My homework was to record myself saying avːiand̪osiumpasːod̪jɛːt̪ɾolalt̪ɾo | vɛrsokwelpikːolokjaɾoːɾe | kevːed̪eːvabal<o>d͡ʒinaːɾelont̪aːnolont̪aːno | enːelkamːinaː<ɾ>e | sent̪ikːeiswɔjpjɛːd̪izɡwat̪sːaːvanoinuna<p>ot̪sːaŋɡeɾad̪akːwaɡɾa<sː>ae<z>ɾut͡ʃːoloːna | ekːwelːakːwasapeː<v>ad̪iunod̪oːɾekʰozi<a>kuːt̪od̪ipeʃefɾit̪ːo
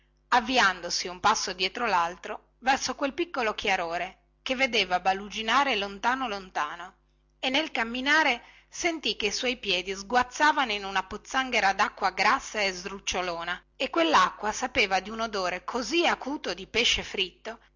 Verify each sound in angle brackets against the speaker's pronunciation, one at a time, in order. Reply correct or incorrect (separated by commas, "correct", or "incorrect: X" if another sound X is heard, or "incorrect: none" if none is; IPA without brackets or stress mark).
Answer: incorrect: u, correct, correct, correct, correct, correct, correct